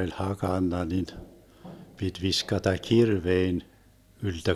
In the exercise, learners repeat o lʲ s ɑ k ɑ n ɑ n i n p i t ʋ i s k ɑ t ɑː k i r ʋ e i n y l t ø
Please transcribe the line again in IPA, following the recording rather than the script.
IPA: o lʲ h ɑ k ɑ nː ɑ n i n p i t ʋ i s k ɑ t ɑ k i r ʋ e i n y l t ø